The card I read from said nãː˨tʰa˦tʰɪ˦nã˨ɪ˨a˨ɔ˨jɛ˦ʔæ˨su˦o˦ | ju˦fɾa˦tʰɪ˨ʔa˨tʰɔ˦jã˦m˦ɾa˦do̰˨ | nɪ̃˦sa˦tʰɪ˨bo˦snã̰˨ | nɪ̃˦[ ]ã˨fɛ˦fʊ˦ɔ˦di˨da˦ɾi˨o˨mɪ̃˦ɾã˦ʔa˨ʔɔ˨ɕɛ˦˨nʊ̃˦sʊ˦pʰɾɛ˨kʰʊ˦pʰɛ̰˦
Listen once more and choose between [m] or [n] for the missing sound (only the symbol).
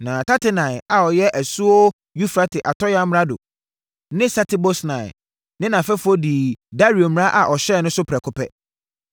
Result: n